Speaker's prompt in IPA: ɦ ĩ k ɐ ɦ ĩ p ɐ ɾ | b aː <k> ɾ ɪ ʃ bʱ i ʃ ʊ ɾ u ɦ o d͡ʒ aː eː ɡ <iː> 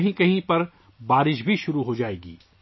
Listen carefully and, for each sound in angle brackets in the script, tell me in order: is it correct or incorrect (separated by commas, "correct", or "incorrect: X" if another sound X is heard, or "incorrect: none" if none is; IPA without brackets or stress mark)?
incorrect: none, correct